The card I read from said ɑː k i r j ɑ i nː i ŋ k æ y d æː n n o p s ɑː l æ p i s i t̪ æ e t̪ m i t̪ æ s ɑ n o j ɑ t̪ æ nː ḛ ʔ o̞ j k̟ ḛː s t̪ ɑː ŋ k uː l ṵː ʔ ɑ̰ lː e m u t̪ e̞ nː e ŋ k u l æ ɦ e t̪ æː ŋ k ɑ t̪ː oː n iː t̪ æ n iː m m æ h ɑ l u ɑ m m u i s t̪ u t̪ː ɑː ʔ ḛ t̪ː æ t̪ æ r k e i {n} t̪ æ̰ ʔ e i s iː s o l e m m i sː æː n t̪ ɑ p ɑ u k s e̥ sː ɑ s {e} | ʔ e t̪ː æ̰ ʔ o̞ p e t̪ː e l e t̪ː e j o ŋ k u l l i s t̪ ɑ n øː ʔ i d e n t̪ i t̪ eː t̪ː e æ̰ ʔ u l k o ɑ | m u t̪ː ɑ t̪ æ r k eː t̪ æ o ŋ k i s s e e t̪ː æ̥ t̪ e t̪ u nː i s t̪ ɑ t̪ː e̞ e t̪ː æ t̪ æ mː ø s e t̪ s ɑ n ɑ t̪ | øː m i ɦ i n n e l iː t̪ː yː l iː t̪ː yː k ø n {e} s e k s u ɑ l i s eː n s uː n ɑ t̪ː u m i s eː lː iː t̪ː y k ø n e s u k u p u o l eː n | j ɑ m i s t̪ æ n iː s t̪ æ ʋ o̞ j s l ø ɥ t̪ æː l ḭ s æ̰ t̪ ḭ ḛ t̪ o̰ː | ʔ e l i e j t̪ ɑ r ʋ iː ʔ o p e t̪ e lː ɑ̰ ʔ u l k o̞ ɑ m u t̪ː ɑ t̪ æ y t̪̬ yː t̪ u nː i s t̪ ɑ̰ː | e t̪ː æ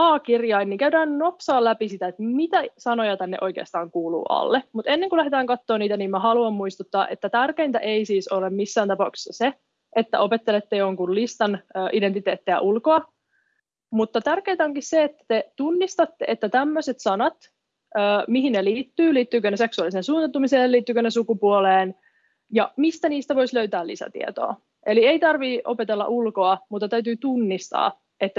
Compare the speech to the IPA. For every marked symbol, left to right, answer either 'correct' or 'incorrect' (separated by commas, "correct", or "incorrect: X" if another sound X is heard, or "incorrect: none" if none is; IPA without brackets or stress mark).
correct, correct, correct